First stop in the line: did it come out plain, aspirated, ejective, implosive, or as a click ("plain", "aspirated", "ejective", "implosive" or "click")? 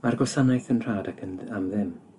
plain